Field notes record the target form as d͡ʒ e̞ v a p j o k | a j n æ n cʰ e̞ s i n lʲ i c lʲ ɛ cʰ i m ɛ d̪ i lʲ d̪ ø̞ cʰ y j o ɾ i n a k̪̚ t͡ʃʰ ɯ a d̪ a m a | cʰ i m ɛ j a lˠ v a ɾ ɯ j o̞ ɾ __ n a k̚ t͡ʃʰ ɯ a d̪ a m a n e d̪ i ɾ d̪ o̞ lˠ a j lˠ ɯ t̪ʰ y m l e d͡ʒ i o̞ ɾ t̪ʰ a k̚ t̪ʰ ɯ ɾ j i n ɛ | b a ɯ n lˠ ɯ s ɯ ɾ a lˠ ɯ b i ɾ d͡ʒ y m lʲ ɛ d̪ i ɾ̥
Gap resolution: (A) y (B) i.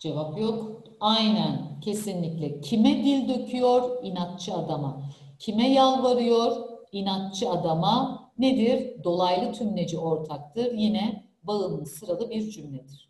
B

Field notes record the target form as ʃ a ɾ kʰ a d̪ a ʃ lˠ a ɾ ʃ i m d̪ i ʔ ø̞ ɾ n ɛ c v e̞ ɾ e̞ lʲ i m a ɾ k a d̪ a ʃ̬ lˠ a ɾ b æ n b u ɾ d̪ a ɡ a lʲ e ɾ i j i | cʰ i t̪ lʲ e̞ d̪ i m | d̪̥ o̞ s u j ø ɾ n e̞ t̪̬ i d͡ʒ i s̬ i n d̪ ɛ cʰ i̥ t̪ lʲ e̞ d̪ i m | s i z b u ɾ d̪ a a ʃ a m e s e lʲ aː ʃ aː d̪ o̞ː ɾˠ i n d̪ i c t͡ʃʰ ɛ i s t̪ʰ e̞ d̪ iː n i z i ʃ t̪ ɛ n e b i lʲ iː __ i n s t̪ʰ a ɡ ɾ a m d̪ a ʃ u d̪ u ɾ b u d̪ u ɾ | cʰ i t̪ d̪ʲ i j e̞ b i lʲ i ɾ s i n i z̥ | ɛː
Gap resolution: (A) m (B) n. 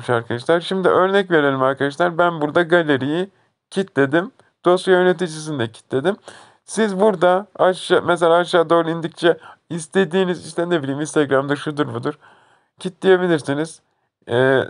A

